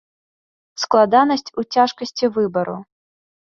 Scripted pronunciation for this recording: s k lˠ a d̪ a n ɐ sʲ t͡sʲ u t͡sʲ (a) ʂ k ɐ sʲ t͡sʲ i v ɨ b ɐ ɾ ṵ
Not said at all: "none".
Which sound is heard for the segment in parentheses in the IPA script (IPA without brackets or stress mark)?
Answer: a